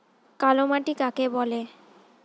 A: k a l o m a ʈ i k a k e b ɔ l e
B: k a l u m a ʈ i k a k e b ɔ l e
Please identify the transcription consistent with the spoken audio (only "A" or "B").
A